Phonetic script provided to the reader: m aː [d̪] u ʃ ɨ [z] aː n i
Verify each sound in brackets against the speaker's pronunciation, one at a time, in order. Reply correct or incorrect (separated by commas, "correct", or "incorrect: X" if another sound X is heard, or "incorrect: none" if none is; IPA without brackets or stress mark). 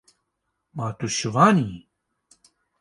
incorrect: t̪, incorrect: v